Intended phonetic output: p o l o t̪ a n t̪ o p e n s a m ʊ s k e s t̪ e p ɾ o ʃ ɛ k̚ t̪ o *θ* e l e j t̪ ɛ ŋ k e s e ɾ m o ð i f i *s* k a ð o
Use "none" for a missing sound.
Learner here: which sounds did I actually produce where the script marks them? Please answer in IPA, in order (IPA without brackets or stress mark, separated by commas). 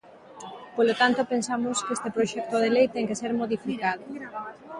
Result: ð, none